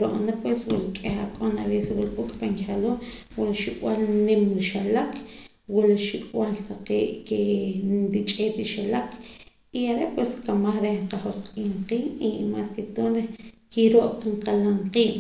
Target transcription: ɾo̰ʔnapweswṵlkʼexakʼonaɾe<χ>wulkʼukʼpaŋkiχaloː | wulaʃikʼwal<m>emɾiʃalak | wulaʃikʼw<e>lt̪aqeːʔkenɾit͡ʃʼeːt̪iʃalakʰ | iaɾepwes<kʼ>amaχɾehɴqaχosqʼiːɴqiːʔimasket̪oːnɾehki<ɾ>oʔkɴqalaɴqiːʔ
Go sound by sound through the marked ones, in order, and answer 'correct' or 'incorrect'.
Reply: incorrect: s, incorrect: n, incorrect: a, incorrect: k, correct

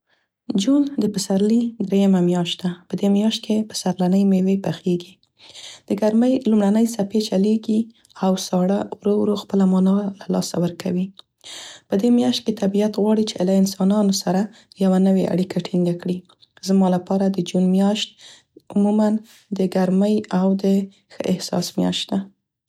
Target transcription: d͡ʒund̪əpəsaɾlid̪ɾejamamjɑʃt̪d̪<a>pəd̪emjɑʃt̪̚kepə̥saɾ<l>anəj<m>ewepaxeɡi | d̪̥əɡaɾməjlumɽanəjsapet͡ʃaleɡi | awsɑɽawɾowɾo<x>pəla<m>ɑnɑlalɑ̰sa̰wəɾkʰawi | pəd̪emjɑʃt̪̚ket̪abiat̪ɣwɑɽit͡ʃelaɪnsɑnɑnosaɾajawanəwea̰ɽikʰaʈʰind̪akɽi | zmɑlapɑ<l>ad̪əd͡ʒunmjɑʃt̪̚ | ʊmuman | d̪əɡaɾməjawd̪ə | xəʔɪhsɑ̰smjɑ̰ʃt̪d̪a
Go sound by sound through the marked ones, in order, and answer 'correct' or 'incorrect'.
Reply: correct, correct, correct, correct, correct, incorrect: ɾ

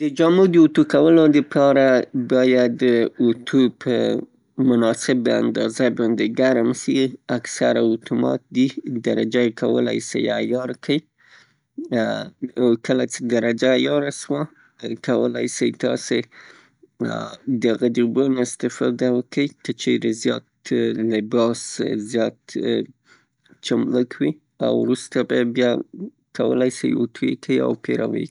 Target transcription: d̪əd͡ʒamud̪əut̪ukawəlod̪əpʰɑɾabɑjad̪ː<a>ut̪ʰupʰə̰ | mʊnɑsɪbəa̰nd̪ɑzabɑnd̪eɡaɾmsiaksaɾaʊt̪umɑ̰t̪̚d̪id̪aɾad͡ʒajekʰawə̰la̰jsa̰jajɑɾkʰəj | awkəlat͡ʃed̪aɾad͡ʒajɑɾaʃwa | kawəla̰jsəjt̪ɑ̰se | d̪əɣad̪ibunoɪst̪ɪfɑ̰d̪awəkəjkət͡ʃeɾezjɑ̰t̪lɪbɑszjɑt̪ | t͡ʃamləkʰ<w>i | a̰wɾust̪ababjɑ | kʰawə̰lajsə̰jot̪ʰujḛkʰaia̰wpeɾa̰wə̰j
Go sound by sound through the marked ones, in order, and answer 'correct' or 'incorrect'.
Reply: incorrect: ə, correct

